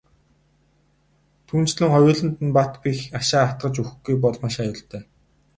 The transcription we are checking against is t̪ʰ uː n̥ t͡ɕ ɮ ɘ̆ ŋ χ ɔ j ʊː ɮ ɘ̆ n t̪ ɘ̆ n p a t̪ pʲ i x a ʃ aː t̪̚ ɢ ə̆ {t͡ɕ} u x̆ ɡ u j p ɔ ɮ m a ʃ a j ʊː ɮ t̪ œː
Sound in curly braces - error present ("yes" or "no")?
no